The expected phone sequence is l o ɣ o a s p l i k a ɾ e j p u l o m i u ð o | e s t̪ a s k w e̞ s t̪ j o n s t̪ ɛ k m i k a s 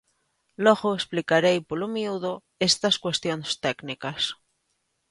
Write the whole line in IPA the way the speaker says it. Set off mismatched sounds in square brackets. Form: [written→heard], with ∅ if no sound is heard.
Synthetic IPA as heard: l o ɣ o [a→e] s p l i k a ɾ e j p [u→o] l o m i u ð o | e s t̪ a s k w e̞ s t̪ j o n s t̪ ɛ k [m→n] i k a s